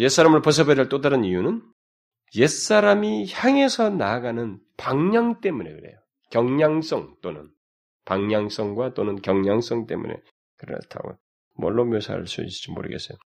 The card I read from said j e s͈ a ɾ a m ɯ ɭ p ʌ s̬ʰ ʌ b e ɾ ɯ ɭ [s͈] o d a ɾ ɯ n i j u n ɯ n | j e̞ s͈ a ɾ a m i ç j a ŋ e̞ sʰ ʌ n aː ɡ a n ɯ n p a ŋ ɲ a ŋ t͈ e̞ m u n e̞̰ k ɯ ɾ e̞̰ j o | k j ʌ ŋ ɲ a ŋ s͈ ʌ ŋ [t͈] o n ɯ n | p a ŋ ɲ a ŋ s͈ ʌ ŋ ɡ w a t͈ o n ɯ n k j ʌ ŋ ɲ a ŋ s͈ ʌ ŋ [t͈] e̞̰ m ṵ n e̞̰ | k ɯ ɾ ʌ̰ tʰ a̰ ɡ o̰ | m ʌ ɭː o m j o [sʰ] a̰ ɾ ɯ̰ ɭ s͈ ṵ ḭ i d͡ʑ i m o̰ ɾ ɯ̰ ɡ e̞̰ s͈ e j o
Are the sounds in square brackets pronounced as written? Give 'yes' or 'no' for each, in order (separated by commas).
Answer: no, yes, yes, yes